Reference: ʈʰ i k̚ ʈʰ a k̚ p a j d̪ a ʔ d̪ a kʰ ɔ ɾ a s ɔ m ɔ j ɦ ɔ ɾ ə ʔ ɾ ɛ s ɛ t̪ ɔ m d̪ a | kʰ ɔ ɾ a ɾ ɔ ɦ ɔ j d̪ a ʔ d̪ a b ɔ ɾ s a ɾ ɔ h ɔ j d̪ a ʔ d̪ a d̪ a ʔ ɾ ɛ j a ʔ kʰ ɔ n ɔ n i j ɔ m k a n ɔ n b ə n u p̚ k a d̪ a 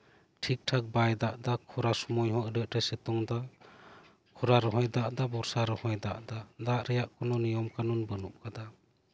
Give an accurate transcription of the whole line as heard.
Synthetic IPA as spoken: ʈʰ i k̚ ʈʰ a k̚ b a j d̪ a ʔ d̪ a kʰ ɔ ɾ a s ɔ m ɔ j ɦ ɔ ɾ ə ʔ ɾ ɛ s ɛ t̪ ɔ ŋ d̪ a | kʰ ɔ ɾ a ɾ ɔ ɦ ɔ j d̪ a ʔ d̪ a b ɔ ɾ s a ɾ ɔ h ɔ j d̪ a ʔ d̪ a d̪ a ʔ ɾ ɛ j a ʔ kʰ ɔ n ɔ n i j ɔ m k a n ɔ n b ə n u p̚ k a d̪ a